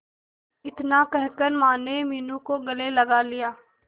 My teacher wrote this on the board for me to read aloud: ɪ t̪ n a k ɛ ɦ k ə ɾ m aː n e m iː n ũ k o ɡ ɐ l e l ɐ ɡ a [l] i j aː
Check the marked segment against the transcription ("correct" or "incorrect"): correct